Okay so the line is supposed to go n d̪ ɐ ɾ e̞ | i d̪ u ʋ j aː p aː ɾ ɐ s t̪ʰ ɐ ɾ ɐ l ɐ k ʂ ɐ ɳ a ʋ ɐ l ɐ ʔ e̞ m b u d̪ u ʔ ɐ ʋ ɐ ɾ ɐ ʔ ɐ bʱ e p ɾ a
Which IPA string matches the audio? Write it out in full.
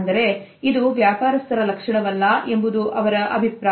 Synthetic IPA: n d̪ ɐ ɾ e̞ | i d̪ u ʋ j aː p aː ɾ ɐ s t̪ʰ ɐ ɾ ɐ l ɐ k ʂ ɐ ɳ ɐ ʋ ɐ lː ɐ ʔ e̞ m b u d̪ u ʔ ɐ ʋ ɐ ɾ ɐ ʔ ɐ bʱ i p ɾ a